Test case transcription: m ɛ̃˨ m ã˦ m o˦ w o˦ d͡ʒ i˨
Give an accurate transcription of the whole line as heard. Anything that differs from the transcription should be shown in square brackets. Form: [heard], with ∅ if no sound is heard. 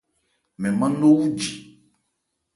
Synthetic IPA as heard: m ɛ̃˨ m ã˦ [n] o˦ w [u˦] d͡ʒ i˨